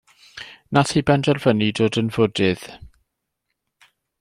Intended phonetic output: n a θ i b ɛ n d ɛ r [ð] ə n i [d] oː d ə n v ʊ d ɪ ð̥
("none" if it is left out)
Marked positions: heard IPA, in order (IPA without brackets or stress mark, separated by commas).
v, d